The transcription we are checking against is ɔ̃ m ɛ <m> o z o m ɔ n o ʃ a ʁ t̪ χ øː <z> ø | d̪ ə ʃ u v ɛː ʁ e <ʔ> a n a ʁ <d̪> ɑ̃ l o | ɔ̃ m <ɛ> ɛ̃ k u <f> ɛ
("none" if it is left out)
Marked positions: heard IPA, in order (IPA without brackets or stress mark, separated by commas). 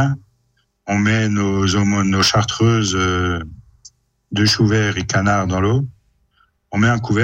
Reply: n, z, k, d̪, ɛ, v